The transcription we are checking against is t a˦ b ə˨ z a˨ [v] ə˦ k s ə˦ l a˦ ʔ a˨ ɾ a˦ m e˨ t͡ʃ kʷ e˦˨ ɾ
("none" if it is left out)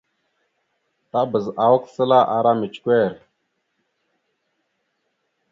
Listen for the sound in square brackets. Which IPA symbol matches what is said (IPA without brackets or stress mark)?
w